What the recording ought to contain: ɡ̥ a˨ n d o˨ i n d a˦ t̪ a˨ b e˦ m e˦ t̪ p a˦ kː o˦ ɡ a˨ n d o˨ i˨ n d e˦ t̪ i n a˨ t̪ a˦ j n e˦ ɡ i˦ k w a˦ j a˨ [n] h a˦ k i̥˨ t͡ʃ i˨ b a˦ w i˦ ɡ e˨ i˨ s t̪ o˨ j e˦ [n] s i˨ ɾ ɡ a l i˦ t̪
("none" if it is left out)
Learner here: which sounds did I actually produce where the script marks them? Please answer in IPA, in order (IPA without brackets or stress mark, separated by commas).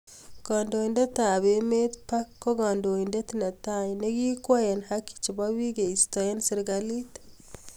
n, n